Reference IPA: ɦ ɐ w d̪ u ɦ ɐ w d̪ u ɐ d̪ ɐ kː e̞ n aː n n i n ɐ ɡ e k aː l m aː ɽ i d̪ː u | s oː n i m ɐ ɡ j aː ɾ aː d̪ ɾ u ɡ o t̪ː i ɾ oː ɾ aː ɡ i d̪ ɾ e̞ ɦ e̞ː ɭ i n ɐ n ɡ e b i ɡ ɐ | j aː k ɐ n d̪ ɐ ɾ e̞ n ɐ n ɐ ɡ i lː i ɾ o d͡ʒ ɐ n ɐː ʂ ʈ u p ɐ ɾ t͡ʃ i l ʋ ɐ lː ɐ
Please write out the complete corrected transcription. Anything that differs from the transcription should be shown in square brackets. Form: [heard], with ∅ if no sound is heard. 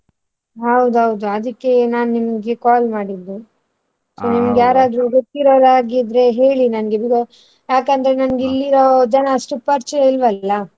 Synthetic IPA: ɦ ɐ w d̪ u ɦ ɐ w d̪ u ɐ d̪ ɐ kː e̞ n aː n n i [m] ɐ ɡ e k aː l m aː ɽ i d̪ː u | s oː n i m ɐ ɡ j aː ɾ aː d̪ ɾ u ɡ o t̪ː i ɾ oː ɾ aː ɡ i d̪ ɾ e̞ ɦ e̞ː ɭ i n ɐ n ɡ e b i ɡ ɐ | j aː k ɐ n d̪ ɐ ɾ e̞ n ɐ n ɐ ɡ i lː i ɾ o d͡ʒ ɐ n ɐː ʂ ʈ u p ɐ ɾ t͡ʃ i l ʋ ɐ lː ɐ

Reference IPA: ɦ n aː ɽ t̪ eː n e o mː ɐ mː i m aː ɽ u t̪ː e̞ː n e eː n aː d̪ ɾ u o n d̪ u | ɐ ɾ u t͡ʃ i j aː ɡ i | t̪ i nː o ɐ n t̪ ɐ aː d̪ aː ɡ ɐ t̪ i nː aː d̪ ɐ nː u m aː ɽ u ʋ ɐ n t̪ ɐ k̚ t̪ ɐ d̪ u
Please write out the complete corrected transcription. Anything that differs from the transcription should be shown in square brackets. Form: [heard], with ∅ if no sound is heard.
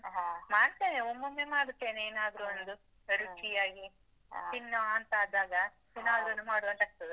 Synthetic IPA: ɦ [m] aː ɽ t̪ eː n e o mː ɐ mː [e] m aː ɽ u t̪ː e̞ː n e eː n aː d̪ ɾ u o n d̪ u | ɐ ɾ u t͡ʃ i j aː ɡ i | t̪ i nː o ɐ n t̪ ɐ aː d̪ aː ɡ ɐ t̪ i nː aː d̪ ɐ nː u m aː ɽ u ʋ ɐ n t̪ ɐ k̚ t̪ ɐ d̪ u

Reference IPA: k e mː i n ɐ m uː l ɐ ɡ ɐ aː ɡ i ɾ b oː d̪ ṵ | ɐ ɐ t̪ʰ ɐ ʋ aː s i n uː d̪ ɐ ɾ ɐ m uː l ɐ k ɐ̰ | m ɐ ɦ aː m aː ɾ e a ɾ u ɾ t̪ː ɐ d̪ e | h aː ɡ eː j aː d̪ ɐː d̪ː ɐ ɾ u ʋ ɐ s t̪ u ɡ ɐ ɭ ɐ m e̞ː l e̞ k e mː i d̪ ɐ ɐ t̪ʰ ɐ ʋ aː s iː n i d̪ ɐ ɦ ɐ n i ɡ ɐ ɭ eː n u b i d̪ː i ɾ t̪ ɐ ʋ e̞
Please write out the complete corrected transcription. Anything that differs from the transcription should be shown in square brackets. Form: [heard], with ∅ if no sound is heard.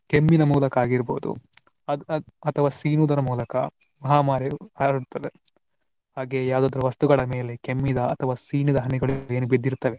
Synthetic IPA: k e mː i n ɐ m uː l ɐ [k] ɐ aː ɡ i ɾ b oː d̪ ṵ | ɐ ɐ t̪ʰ ɐ ʋ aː s [iː] n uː d̪ ɐ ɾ ɐ m uː l ɐ k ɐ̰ | m ɐ ɦ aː m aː ɾ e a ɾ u [ɽ] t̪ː ɐ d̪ e | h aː ɡ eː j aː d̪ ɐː [d̪] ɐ ɾ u ʋ ɐ s t̪ u ɡ ɐ ɭ ɐ m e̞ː l e̞ k e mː i d̪ ɐ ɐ t̪ʰ ɐ ʋ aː s iː n i d̪ ɐ ɦ ɐ n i ɡ ɐ ɭ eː n u b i d̪ː i ɾ t̪ ɐ ʋ e̞

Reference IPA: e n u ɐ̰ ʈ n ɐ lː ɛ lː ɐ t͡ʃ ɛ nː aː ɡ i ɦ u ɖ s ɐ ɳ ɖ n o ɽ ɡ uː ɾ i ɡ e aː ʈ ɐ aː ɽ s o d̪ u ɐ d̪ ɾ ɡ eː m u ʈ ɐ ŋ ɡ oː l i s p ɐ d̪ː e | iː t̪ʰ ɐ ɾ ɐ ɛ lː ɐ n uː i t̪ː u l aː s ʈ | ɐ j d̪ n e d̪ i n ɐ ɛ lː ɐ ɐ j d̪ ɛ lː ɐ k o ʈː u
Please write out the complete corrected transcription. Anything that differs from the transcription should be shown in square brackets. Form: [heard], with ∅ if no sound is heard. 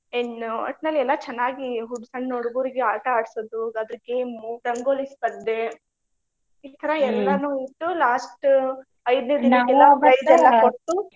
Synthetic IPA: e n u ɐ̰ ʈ n ɐ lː ɛ lː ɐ t͡ʃ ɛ nː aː ɡ i ɦ u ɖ s ɐ ɳ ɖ n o ɽ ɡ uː ɾ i ɡ e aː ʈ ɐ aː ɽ s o d̪ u ɐ d̪ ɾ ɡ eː m u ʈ ɐ ŋ ɡ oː l i s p ɐ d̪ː e | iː t̪ʰ ɐ ɾ ɐ ɛ lː ɐ n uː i t̪ː u l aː s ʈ | ɐ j d̪ n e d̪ i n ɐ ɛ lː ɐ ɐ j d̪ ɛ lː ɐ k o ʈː u

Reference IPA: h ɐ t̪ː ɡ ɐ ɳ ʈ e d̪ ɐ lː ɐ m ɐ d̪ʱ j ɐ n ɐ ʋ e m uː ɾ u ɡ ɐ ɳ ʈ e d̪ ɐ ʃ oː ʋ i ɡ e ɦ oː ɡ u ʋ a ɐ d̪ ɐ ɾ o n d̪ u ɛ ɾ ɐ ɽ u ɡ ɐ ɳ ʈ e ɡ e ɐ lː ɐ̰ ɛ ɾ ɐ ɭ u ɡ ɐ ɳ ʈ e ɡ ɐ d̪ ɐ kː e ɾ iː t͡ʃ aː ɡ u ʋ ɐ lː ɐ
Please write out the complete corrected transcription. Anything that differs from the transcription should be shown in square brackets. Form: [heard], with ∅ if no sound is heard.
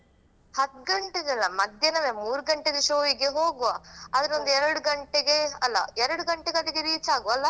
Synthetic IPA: h ɐ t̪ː ɡ ɐ ɳ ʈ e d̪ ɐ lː ɐ m ɐ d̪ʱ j ɐ n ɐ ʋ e m uː ɾ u ɡ ɐ ɳ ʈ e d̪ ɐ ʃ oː ʋ i ɡ e ɦ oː ɡ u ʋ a ɐ d̪ ɐ ɾ o n d̪ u ɛ ɾ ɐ ɽ u ɡ ɐ ɳ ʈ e ɡ e ɐ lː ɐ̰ ɛ ɾ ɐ [ɽ] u ɡ ɐ ɳ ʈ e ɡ ɐ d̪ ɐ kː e ɾ iː t͡ʃ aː ɡ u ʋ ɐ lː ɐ

